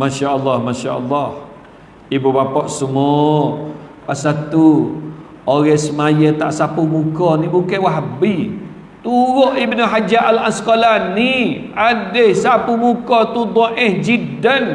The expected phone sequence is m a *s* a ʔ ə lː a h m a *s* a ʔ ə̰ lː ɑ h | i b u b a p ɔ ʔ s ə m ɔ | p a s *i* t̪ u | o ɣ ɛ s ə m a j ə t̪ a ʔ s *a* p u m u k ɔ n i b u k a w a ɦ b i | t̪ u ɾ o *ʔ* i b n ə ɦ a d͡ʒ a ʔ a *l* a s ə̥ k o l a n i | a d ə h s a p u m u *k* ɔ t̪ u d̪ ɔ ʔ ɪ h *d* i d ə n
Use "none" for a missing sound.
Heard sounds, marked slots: ʃ, ʃ, a, a, ʔ, l, k, d͡ʒ

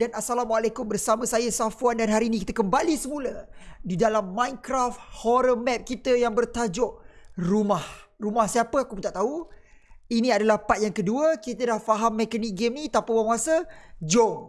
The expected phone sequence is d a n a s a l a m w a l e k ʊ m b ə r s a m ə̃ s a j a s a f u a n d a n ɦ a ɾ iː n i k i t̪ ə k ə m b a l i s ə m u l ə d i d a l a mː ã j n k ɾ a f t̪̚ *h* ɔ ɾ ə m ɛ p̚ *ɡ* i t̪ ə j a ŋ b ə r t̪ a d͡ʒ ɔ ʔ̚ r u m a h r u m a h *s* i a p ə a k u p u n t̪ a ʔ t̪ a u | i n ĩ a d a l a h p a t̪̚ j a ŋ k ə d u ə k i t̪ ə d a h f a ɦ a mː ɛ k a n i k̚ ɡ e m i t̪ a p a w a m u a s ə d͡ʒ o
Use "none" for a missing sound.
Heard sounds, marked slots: h, k, s

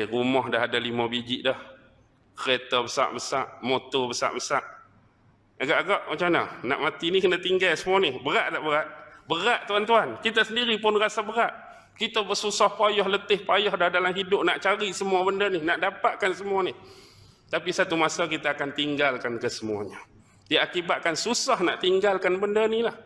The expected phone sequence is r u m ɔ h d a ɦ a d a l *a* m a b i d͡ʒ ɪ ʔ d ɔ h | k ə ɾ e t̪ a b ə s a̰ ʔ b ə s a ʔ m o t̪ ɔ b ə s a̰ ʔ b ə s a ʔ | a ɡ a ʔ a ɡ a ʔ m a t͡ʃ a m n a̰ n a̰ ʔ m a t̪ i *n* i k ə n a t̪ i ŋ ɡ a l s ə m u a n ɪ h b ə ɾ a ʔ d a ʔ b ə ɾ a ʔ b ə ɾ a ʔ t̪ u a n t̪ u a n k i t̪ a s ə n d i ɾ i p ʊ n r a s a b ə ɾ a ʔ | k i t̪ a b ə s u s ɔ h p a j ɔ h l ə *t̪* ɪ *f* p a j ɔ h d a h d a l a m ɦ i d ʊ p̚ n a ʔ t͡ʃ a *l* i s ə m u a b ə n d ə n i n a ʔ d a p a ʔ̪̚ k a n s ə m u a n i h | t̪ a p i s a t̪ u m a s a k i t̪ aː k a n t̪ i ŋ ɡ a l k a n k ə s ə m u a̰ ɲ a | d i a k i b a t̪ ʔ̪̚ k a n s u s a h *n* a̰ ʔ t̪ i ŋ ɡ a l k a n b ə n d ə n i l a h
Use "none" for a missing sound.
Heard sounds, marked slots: i, n, t̪, h, ɾ, n

